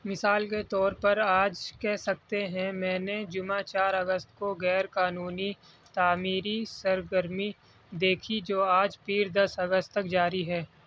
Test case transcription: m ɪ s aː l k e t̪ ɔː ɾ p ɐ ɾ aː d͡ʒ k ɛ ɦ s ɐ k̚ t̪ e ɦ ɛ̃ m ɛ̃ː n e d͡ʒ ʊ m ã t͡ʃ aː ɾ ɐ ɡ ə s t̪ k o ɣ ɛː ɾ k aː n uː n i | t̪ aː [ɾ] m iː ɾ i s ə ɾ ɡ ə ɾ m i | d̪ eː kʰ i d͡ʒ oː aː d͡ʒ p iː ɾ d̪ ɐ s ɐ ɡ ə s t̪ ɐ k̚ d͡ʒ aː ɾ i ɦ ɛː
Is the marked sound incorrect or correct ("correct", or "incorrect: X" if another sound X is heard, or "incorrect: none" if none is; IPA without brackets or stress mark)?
incorrect: none